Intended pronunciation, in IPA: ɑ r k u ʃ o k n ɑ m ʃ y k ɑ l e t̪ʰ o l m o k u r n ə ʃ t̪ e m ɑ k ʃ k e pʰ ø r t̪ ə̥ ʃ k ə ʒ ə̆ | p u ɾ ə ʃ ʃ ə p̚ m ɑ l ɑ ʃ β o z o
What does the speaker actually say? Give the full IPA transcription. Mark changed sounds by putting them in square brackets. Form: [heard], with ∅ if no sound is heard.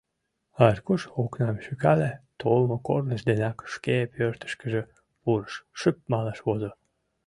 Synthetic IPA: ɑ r k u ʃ o k n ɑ m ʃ y k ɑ l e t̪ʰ o l m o k [o] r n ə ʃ [d̪] e [n] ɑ k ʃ k e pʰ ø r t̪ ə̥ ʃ k ə ʒ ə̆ | p u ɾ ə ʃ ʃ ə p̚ m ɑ l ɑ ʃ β o z o